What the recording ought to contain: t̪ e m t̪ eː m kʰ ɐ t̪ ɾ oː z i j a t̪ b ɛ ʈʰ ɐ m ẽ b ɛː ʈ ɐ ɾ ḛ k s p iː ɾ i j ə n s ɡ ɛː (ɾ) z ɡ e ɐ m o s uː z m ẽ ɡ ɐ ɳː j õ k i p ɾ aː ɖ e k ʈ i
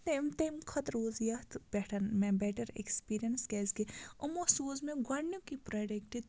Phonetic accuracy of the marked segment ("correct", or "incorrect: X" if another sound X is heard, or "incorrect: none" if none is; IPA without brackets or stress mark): incorrect: none